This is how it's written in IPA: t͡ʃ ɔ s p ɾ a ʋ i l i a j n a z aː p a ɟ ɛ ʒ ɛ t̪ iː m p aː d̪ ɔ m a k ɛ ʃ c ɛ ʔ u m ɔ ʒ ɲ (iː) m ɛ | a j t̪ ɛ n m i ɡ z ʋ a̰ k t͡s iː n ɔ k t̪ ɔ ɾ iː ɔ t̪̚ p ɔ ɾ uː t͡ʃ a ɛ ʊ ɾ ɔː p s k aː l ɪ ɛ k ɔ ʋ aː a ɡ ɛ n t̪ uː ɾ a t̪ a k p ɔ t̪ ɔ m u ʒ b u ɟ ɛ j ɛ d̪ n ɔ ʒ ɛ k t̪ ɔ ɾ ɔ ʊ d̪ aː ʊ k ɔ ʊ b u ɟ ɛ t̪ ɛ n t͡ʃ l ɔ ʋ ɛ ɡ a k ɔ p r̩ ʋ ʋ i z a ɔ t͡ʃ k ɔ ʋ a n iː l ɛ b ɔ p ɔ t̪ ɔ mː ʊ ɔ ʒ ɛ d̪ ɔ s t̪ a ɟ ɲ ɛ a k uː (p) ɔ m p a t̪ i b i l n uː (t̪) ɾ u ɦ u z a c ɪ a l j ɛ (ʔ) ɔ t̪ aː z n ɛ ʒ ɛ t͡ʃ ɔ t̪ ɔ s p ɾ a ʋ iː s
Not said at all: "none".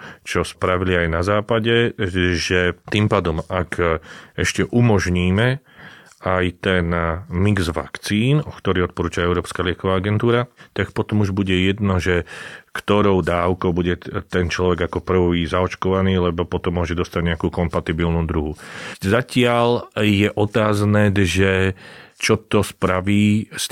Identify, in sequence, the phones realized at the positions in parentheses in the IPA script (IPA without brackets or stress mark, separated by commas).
iː, k, d̪, ʔ